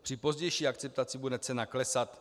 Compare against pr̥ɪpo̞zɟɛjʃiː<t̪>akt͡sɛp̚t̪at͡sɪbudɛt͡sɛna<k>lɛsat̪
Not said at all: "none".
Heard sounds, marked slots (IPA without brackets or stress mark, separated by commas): none, k